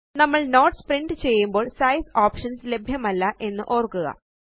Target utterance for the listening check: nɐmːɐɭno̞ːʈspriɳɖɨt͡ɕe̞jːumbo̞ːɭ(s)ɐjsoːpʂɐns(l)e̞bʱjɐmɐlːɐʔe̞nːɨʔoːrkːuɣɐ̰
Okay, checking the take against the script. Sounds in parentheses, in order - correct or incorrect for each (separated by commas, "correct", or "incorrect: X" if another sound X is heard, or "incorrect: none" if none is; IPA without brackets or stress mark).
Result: correct, correct